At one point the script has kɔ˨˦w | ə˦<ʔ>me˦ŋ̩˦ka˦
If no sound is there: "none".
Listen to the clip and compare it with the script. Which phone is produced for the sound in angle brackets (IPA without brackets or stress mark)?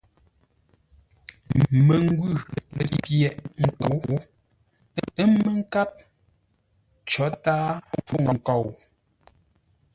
none